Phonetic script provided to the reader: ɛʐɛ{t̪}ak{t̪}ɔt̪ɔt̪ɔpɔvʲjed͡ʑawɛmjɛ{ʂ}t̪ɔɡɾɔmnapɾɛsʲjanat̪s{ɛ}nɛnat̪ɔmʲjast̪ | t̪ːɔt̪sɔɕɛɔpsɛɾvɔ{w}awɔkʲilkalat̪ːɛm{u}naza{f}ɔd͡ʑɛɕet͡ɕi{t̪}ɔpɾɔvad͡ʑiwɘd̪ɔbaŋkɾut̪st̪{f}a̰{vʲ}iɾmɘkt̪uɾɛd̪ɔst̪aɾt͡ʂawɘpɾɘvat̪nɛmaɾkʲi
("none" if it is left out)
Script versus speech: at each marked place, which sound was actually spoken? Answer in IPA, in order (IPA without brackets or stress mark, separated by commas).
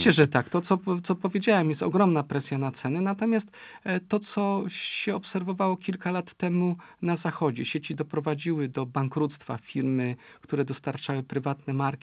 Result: t̪, t̪, s, ɛ, v, u, x, d̪, f, fʲ